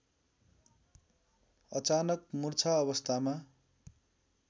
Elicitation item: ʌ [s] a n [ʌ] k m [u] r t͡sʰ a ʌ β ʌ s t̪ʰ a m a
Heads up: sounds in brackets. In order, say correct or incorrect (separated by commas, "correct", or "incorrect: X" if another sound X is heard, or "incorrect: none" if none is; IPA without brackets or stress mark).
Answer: incorrect: t͡s, correct, correct